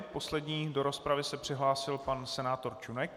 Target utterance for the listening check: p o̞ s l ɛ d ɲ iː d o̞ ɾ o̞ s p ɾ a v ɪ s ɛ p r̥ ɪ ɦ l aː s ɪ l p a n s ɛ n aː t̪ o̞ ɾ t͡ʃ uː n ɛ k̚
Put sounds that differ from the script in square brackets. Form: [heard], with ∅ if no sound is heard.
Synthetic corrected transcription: p o̞ s l ɛ d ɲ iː d o̞ ɾ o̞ s p ɾ a v ɪ s ɛ p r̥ ɪ ɦ l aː s ɪ l p a n s ɛ n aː t̪ o̞ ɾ t͡ʃ [u] n ɛ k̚